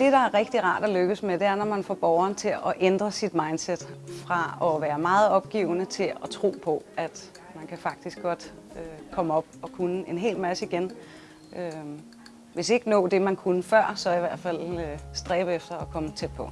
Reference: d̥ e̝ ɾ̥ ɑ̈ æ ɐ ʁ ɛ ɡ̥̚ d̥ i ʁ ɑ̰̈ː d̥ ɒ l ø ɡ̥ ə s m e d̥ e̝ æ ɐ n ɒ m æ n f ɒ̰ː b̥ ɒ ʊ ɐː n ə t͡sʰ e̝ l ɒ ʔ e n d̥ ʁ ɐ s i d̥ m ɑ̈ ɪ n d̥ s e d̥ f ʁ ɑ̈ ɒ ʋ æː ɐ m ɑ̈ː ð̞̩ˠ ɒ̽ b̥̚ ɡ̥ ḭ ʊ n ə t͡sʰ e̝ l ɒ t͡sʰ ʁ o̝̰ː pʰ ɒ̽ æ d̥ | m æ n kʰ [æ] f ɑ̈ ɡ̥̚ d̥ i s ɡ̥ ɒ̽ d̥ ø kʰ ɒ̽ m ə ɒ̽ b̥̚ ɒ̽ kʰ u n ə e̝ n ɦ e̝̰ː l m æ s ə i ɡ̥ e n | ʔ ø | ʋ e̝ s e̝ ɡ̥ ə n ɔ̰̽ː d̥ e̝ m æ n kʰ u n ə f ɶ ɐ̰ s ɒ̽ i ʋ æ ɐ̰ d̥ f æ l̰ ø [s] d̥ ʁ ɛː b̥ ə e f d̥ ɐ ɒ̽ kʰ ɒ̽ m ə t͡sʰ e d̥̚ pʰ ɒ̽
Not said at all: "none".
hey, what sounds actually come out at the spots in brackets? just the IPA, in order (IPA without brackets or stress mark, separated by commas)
æ, s